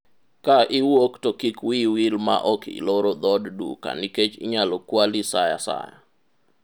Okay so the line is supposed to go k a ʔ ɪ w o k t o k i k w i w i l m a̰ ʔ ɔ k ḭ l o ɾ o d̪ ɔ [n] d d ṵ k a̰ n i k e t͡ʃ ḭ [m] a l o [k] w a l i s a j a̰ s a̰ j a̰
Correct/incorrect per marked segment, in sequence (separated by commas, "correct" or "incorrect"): incorrect, incorrect, correct